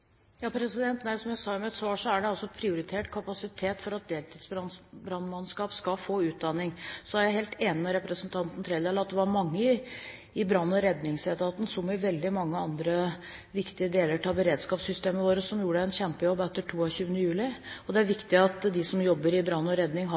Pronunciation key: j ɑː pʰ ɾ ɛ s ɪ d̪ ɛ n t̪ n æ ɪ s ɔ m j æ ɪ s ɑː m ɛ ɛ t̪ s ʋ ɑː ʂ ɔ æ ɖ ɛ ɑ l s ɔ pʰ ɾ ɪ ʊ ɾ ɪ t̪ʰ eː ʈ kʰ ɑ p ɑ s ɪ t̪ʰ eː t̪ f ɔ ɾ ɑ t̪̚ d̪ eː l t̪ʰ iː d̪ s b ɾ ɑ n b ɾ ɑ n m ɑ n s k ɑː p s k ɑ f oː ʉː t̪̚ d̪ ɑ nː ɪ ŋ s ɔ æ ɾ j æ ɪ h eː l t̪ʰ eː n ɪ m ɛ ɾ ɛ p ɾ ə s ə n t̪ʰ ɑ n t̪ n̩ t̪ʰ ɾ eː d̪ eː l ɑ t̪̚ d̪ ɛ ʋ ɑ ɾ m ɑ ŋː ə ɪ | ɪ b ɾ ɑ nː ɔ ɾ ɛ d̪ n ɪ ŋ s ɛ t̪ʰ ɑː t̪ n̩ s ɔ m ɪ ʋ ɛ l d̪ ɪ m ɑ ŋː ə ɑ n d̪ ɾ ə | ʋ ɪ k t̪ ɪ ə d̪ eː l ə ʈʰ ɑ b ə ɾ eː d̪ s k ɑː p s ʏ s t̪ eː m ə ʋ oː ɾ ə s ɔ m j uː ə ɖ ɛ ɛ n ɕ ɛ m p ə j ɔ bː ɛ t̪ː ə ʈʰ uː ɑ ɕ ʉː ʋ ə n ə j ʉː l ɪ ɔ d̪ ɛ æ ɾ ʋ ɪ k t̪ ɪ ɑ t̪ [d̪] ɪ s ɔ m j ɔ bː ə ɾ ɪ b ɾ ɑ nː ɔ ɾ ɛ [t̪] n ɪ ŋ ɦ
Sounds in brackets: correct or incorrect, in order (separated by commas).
correct, incorrect